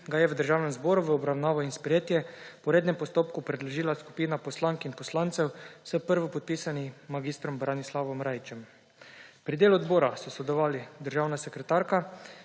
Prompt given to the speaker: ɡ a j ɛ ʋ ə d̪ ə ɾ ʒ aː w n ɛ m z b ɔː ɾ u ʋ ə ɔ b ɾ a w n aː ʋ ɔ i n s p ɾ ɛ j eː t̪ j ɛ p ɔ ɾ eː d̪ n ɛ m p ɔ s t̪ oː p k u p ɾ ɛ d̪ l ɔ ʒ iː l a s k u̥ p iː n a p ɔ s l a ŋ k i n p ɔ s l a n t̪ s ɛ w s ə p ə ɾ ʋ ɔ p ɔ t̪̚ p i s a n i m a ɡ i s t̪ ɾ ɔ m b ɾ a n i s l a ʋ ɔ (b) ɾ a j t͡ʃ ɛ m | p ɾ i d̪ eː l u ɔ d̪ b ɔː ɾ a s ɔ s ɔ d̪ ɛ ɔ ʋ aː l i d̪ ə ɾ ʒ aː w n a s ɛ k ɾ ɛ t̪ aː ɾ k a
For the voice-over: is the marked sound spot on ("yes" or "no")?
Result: no